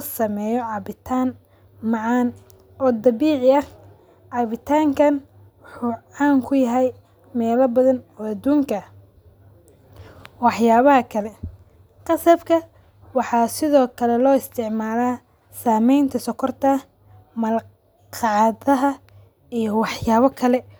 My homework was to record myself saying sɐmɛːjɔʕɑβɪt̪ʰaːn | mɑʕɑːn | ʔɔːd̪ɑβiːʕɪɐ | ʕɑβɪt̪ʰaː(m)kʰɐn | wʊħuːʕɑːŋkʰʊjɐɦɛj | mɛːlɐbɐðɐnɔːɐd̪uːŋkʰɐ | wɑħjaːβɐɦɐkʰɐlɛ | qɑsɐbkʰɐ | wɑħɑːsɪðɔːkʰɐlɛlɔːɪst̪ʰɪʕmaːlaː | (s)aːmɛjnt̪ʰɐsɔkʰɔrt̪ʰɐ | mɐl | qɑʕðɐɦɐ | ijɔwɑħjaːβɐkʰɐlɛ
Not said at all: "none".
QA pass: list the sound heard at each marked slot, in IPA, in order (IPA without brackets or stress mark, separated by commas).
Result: ŋ, s